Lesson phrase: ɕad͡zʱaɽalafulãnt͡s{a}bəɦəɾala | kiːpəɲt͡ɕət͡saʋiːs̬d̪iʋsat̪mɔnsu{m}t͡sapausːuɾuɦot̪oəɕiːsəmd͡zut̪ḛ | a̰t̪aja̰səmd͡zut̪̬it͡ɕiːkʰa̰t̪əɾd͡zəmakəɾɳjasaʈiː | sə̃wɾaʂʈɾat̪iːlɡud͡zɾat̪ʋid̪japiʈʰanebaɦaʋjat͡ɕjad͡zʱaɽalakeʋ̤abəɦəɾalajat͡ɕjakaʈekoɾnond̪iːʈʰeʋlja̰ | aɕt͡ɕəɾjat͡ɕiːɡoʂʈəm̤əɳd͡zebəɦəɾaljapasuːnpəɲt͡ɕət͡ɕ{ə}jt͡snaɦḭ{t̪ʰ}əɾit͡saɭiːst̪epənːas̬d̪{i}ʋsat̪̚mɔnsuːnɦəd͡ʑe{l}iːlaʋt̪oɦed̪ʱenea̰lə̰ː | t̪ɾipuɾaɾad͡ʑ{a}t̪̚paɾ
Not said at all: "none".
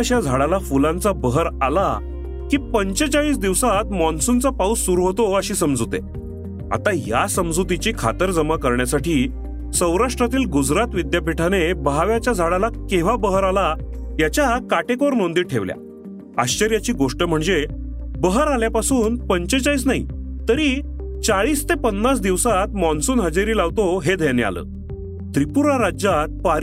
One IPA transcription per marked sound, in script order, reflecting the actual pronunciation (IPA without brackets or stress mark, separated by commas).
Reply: a, n, a, t̪, i, ɾ, a